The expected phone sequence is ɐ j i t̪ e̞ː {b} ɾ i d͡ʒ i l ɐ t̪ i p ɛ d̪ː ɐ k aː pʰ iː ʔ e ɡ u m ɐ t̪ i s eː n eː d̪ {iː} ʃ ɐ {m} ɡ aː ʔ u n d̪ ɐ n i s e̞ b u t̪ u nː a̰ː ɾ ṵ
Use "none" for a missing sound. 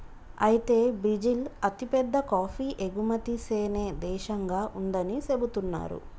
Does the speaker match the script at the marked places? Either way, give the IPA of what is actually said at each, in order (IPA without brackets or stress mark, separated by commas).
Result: b, ɛː, ŋ